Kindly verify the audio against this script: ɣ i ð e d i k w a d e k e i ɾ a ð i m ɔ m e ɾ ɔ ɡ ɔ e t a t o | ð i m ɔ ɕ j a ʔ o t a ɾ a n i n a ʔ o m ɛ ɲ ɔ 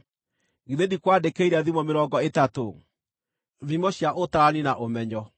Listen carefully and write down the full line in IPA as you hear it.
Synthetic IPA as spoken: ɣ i ð e d i k w a d e k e i ɾ a ð i m ɔ m e ɾ ɔ ɡ ɔ e t a t o | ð i m ɔ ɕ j a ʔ o t a ɾ a n i n a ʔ o m ɛ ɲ ɔ